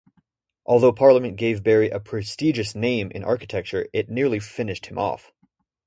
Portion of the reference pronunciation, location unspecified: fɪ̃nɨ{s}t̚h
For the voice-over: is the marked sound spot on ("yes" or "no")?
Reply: no